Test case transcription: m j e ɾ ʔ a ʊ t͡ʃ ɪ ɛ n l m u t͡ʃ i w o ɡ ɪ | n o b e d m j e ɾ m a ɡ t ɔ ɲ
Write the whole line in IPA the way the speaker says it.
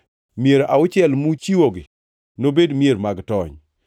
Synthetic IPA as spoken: m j e ɾ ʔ a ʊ t͡ʃ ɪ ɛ l m u t͡ʃ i w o ɡ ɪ | n o b e d m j e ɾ m a ɡ t ɔ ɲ